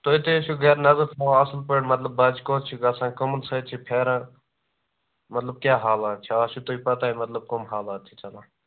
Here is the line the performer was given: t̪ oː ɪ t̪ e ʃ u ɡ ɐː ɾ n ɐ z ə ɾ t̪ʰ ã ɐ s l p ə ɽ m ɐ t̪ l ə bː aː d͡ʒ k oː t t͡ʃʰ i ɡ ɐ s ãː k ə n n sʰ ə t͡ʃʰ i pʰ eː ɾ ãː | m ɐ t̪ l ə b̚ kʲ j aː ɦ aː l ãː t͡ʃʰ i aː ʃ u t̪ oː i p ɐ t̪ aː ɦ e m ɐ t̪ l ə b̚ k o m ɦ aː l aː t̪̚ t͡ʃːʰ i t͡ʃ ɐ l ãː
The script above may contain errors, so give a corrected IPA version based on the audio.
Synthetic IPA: t̪ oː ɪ t̪ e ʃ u ɡ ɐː ɾ n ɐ z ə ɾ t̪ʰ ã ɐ s l p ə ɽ m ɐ t̪ l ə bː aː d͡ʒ k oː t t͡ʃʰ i ɡ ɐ s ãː k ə m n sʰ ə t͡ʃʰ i pʰ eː ɾ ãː | m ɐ t̪ l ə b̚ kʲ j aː ɦ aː l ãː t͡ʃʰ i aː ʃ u t̪ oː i p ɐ t̪ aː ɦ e m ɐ t̪ l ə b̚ k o m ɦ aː l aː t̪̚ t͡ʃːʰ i t͡ʃ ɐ l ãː